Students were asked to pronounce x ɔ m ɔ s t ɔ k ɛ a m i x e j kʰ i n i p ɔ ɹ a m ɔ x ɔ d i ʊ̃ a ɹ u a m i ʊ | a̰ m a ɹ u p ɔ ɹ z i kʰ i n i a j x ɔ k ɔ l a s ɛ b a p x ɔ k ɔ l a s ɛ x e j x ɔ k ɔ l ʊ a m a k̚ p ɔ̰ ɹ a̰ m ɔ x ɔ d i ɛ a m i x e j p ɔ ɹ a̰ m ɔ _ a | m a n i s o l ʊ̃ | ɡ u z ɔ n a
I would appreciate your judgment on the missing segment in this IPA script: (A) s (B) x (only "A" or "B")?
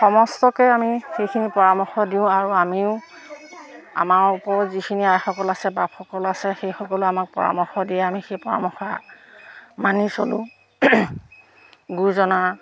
B